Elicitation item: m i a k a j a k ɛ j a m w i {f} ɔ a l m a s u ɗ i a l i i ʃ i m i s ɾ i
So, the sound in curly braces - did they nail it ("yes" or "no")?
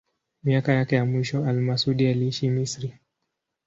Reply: no